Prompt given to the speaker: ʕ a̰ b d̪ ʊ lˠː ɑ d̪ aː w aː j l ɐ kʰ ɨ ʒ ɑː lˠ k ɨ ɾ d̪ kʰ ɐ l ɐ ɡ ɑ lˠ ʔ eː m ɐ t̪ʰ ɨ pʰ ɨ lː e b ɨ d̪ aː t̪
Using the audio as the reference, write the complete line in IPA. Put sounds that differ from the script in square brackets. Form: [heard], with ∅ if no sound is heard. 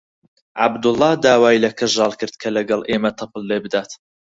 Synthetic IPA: ʕ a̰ b d̪ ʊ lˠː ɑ d̪ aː w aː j l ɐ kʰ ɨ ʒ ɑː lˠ k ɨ ɾ d̪ kʰ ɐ l ɐ ɡ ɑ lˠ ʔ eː m ɐ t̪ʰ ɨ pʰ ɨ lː e b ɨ d̪ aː t̪

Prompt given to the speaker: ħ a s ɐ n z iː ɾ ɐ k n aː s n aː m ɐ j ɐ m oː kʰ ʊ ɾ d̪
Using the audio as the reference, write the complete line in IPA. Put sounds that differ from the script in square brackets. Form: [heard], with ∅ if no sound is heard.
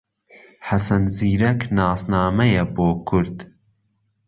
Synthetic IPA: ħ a s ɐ n z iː ɾ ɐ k n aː s n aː m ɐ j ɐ [b] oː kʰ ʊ ɾ d̪

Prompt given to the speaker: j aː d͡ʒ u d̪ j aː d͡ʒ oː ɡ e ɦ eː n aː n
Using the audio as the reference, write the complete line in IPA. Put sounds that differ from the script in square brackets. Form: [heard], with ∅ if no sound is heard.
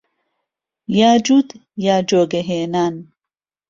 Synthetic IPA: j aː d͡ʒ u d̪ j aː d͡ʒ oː ɡ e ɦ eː n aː n

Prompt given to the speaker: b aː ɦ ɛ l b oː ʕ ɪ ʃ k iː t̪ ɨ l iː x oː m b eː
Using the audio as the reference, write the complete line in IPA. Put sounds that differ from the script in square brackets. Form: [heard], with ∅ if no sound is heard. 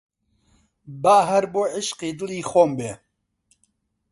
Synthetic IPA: b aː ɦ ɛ [ɾ] b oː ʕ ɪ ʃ [q] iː [d̪] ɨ l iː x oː m b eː

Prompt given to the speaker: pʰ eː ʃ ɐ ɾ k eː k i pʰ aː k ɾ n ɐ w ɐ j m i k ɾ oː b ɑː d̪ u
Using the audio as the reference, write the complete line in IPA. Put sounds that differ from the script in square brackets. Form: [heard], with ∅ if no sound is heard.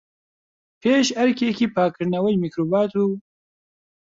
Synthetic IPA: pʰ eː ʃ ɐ ɾ k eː k i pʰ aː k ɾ n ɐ w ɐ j m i k ɾ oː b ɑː [t̪] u

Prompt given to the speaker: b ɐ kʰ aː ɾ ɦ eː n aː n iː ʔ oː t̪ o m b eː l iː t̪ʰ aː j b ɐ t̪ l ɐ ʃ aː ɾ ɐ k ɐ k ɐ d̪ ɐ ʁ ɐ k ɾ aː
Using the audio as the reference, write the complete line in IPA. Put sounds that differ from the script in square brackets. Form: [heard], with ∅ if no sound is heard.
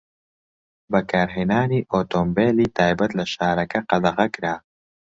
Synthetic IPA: b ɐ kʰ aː ɾ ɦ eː n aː n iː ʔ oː t̪ o m b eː l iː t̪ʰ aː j b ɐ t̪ l ɐ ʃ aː ɾ ɐ k ɐ [q] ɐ d̪ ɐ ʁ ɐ k ɾ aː

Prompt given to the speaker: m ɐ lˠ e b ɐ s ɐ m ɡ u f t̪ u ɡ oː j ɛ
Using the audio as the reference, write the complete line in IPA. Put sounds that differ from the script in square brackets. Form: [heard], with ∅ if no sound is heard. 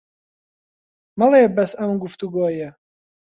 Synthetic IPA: m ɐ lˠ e b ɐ s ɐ m ɡ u f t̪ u ɡ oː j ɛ

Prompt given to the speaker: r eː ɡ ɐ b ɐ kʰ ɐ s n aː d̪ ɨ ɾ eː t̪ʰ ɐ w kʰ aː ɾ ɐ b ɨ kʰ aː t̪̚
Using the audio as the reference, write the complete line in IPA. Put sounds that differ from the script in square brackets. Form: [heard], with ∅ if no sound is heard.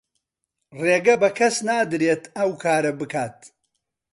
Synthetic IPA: r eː ɡ ɐ b ɐ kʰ ɐ s n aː d̪ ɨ ɾ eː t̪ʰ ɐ w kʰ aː ɾ ɐ b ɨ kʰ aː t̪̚

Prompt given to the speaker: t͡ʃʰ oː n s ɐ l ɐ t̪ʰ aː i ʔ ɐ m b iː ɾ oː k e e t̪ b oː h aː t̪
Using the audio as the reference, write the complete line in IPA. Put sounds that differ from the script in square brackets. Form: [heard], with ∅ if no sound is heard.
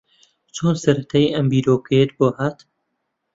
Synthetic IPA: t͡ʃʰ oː n s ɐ [ɾ] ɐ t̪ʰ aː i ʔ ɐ m b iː ɾ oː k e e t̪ b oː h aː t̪

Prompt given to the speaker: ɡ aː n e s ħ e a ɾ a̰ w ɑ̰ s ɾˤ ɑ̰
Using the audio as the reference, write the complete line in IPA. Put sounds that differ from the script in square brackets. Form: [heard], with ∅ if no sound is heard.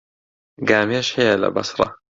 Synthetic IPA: ɡ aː [m] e [ʃ] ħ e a [l] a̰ [b] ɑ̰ s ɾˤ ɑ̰

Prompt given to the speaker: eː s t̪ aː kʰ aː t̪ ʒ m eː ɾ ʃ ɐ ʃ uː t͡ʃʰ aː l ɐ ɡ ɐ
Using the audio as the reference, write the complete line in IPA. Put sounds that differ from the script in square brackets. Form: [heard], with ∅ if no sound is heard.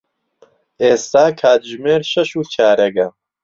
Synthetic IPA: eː s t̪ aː kʰ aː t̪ ʒ m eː ɾ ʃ ɐ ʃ uː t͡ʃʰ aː [ɾ] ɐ ɡ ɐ

